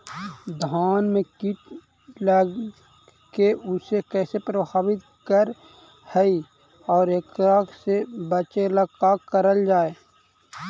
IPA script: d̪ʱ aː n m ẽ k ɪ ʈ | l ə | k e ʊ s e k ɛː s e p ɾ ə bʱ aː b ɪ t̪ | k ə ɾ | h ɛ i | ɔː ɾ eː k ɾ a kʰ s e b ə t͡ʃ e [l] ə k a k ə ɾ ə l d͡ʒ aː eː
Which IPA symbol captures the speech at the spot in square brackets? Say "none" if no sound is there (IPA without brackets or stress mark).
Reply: l